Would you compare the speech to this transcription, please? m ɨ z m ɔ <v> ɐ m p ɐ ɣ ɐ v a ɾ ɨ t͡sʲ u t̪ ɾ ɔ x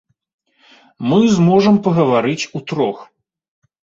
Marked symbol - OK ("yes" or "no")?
no